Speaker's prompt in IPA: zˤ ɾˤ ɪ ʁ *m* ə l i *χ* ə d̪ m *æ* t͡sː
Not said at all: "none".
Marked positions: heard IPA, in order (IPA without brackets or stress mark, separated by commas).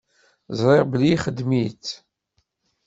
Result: b, χ, i